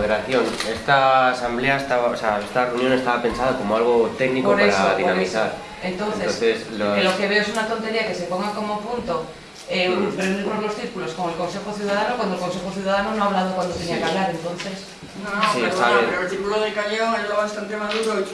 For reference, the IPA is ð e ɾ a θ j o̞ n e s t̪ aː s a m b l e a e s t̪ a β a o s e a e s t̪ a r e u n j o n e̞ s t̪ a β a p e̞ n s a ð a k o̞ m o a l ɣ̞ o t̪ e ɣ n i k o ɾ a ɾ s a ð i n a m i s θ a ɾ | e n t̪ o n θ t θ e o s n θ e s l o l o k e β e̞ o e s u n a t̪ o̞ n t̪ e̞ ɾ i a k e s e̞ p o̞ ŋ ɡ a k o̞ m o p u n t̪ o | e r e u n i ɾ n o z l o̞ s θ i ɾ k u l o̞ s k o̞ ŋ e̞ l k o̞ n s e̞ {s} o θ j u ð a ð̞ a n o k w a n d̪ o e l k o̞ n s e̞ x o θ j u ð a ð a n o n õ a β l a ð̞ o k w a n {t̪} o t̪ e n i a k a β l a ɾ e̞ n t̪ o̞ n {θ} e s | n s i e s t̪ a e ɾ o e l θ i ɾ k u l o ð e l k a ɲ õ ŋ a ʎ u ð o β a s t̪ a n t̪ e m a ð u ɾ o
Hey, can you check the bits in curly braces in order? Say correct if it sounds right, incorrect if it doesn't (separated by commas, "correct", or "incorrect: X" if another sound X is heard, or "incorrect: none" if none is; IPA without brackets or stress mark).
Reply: incorrect: x, incorrect: d̪, correct